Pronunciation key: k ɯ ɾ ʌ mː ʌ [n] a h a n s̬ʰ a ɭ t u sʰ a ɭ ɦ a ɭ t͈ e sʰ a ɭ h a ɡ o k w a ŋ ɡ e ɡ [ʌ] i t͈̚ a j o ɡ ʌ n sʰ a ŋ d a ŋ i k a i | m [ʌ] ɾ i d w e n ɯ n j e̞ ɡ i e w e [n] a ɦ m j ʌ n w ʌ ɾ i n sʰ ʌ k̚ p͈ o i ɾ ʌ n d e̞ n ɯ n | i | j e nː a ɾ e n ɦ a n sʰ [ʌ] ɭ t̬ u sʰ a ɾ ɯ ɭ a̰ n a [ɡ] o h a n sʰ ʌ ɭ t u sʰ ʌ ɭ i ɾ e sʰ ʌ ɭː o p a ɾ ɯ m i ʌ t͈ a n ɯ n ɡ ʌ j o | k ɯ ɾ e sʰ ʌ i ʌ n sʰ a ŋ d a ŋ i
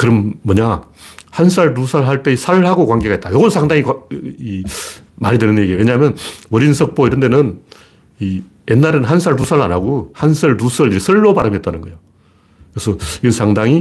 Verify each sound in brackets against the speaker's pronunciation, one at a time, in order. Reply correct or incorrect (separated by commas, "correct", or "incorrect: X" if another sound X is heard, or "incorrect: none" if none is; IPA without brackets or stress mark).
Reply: incorrect: ɲ, incorrect: a, incorrect: a, incorrect: ɲ, incorrect: a, correct